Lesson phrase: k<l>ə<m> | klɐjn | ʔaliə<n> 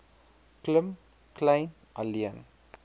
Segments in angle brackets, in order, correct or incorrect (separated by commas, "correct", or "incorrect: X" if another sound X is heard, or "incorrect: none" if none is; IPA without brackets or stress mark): correct, correct, correct